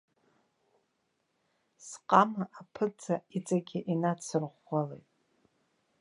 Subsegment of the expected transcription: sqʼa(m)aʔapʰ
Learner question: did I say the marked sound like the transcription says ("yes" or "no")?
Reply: yes